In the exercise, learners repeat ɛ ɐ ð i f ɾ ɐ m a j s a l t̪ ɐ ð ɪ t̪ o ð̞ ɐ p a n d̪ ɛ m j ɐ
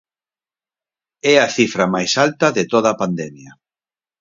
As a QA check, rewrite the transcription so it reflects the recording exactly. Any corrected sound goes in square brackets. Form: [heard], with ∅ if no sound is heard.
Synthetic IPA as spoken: ɛ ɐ [θ] i f ɾ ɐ m a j s a l t̪ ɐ ð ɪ t̪ o ð̞ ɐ p a n d̪ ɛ m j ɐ